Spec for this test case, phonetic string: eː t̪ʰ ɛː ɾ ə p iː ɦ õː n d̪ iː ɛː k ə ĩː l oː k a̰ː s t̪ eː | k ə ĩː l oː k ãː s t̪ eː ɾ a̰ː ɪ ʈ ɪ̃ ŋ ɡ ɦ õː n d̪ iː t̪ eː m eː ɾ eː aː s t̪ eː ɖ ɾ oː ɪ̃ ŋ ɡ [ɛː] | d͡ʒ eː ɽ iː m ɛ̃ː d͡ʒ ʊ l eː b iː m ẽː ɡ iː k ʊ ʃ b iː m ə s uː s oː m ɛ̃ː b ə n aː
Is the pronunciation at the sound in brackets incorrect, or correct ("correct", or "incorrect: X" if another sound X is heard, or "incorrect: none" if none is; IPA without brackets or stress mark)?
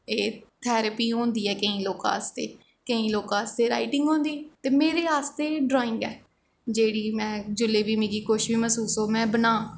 correct